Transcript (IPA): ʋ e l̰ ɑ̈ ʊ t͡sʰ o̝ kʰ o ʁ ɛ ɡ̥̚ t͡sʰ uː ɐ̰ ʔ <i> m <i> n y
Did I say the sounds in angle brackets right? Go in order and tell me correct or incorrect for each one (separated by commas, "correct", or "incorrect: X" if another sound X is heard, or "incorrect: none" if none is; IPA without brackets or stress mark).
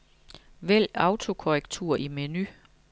correct, incorrect: e